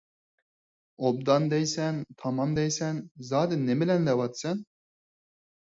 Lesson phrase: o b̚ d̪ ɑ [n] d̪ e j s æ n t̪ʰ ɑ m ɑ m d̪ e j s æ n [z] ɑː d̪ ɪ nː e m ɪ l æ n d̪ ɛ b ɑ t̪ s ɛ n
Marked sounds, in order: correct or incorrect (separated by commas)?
correct, correct